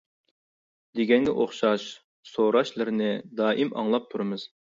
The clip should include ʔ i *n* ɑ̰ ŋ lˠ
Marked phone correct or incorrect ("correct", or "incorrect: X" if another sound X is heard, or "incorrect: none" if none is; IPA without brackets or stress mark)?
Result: incorrect: m